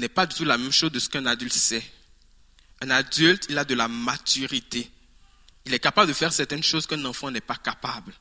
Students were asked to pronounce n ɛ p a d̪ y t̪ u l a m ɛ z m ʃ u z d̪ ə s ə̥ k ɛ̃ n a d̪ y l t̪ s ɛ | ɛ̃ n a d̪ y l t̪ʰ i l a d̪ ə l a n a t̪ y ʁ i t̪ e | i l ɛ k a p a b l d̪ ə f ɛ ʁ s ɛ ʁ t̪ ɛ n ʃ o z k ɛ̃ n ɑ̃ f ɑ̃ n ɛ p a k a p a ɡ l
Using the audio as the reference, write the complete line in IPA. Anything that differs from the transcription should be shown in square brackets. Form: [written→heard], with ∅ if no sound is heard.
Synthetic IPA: n ɛ p a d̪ y t̪ u l a m ɛ [z→∅] m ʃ [u→o] z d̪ ə s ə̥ k ɛ̃ n a d̪ y l t̪ s ɛ | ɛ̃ n a d̪ y l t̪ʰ i l a d̪ ə l a [n→m] a t̪ y ʁ i t̪ e | i l ɛ k a p a b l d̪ ə f ɛ ʁ s ɛ ʁ t̪ ɛ n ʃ o z k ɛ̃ n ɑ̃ f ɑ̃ n ɛ p a k a p a [ɡ→b] l